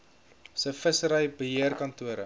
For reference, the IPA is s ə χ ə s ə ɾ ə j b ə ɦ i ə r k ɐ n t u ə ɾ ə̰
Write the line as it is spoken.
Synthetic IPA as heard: s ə f ə s ə ɾ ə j b ə ɦ i ə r k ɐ n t u ə ɾ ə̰

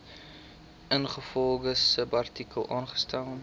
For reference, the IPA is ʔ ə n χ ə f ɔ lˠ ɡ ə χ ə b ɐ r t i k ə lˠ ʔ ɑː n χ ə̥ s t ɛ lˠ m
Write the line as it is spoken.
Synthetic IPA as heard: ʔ ə n χ ə f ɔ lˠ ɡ ə s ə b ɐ r t i k ə lˠ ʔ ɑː n χ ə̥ s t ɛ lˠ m

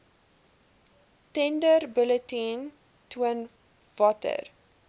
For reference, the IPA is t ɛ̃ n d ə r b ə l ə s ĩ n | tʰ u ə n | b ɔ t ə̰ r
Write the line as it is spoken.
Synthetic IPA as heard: t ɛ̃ n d ə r b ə l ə t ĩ n | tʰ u ə n | v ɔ t ə̰ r

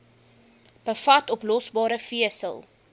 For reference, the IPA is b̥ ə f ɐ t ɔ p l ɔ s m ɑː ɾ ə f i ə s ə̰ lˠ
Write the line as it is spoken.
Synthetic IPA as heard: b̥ ə f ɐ t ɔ p l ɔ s b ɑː ɾ ə f i ə s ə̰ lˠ

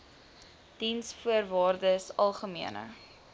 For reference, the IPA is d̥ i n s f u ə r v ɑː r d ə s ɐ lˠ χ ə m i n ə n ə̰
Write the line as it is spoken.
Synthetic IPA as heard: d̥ i n s f u ə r v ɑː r d ə s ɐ lˠ χ ə m i ə n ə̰

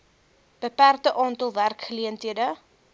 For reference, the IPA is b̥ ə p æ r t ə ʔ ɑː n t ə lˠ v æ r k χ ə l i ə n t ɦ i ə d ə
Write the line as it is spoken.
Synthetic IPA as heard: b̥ ə p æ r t ə ʔ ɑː n t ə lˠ v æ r k χ ə l i ə n t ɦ i ə d ə

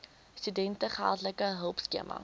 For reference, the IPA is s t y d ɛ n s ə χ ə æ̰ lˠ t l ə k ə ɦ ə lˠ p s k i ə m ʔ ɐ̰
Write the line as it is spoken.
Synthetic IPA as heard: s t y d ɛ n t ə χ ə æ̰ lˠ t l ə k ə ɦ ə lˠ p s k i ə m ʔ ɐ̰

